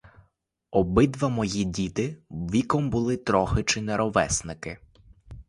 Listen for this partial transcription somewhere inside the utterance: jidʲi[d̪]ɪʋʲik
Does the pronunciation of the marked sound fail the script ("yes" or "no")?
yes